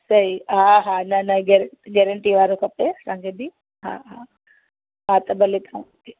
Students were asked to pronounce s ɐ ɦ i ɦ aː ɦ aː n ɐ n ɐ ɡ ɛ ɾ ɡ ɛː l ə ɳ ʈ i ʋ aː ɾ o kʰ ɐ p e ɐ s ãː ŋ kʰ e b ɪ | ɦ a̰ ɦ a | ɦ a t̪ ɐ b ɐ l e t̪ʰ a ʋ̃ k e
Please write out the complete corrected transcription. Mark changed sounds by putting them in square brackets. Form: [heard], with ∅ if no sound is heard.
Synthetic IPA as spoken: s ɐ ɦ i ɦ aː ɦ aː n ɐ n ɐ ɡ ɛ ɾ ɡ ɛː [ɾ] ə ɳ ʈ i ʋ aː ɾ o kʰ ɐ p e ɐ s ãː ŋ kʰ e b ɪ | ɦ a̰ ɦ a | ɦ a t̪ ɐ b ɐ l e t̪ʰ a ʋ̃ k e